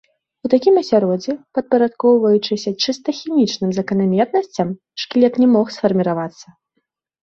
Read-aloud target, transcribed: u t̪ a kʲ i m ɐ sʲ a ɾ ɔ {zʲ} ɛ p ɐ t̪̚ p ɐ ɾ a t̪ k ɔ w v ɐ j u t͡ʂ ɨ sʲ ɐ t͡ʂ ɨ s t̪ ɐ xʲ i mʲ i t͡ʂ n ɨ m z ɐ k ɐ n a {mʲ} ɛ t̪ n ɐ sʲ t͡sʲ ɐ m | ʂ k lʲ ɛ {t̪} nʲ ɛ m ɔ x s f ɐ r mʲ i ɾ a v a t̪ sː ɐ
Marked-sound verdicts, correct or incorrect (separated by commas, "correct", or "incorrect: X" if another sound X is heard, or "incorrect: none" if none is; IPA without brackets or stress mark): incorrect: d͡zʲ, correct, correct